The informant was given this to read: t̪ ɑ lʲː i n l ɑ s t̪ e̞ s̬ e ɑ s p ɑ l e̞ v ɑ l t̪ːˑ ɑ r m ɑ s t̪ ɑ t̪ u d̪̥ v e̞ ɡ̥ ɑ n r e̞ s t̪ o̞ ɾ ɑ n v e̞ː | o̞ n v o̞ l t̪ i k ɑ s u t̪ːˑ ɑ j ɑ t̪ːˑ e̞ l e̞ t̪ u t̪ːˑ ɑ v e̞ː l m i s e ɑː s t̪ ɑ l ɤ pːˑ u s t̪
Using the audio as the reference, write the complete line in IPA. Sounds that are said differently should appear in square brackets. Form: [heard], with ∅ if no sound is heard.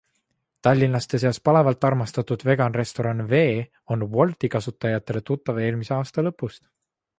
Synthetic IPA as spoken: t̪ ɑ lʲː i n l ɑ s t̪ e̞ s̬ e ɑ s p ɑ l e̞ v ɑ l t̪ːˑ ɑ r m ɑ s t̪ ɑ t̪ u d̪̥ v e̞ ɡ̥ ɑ n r e̞ s t̪ o̞ ɾ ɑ n v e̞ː | o̞ n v o̞ l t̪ i k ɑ s u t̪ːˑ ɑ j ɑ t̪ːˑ e̞ l e̞ t̪ u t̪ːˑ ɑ v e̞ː l m i s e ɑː s t̪ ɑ l ɤ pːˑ u s t̪

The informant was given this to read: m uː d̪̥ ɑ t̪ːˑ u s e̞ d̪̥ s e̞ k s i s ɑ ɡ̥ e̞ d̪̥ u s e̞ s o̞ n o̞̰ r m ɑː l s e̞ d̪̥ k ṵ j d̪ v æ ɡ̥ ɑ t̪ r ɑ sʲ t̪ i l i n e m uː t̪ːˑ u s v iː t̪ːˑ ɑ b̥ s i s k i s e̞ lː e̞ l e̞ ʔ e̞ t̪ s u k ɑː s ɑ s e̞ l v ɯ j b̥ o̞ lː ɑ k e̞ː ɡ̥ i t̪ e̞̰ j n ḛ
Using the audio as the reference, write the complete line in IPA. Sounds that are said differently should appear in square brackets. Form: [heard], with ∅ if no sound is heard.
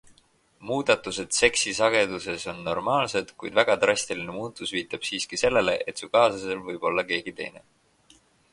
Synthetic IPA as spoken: m uː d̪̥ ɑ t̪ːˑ u s e̞ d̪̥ s e̞ k s i s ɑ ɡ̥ e̞ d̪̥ u s e̞ s o̞ [nː] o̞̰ r m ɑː l s e̞ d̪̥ k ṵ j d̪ v æ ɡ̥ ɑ t̪ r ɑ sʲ t̪ i l i n e m uː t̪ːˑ u s v iː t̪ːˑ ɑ b̥ s [iː] s k i s e̞ lː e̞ l e̞ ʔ e̞ t̪ s u k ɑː s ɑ s e̞ l v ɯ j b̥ o̞ lː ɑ k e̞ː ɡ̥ i t̪ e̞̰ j n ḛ

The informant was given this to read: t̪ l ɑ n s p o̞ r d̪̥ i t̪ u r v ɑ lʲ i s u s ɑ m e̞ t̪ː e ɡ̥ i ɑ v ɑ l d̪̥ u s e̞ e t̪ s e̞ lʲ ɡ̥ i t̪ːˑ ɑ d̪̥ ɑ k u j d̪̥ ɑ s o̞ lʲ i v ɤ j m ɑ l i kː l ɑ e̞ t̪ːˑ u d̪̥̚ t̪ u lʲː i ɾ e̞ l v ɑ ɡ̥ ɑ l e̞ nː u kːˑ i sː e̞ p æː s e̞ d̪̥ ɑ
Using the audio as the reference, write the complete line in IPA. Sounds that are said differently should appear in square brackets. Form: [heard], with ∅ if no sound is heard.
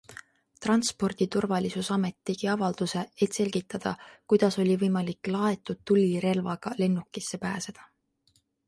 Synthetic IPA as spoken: t̪ [r] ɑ n s p o̞ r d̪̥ i t̪ u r v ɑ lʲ i s u s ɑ m e̞ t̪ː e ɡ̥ i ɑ v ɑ l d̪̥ u s e̞ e t̪ s e̞ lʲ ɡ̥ i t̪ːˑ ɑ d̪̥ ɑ k u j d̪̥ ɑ s o̞ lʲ i v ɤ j m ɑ l i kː l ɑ e̞ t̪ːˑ u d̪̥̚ t̪ u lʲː i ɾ e̞ l v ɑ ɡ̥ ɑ l e̞ nː u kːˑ i sː e̞ p æː s e̞ d̪̥ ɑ

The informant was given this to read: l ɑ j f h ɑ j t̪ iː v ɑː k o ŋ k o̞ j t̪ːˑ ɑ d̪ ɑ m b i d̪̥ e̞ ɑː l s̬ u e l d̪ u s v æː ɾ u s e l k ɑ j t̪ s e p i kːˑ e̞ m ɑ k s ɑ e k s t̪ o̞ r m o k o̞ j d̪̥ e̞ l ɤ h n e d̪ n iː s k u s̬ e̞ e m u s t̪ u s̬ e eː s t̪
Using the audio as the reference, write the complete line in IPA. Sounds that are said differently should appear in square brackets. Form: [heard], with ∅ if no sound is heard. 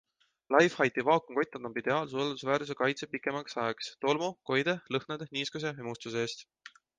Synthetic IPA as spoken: l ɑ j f h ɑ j t̪ [i] v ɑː k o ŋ k o̞ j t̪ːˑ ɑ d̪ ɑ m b i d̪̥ e̞ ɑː l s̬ u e l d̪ u s v æː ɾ u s e [∅] k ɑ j t̪ s e p i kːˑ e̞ m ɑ k s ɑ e k s t̪ o̞ [l] m o k o̞ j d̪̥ e̞ l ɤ h n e d̪ n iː s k u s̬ e̞ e m u s t̪ u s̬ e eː s t̪

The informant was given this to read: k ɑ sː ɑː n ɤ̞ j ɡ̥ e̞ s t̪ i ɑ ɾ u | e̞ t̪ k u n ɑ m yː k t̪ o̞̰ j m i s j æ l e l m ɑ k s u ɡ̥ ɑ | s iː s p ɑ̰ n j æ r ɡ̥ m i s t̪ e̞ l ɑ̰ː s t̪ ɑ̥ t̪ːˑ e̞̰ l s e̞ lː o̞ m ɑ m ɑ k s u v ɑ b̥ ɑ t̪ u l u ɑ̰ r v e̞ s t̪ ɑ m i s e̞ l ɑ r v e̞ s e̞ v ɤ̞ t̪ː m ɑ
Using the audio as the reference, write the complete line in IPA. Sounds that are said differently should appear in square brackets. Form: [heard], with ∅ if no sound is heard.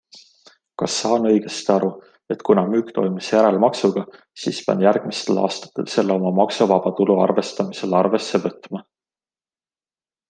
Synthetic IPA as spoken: k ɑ sː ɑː n ɤ̞ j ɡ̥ e̞ s t̪ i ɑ ɾ u | e̞ t̪ k u n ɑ m yː k t̪ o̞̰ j m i s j æ [ɾ] e l m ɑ k s u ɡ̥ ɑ | s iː s p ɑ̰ n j æ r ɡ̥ m i s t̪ e̞ l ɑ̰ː s t̪ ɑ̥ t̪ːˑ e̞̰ l s e̞ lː o̞ m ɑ m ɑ k s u v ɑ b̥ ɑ t̪ u l u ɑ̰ r v e̞ s t̪ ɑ m i s e̞ l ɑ r v e̞ s e̞ v ɤ̞ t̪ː m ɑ

